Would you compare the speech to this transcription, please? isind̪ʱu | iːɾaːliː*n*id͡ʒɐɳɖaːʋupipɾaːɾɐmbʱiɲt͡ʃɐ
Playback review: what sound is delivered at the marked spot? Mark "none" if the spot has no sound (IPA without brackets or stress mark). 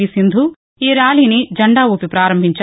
n